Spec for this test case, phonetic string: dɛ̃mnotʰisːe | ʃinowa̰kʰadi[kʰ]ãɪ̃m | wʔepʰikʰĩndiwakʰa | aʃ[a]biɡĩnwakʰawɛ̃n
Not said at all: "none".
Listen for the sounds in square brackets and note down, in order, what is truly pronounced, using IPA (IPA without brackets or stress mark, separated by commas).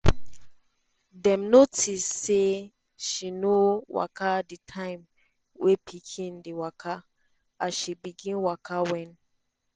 tʰ, i